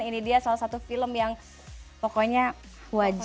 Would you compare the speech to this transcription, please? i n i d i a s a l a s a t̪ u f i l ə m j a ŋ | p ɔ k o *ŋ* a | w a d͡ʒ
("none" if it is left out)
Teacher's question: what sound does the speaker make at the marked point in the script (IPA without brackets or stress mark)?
ɲ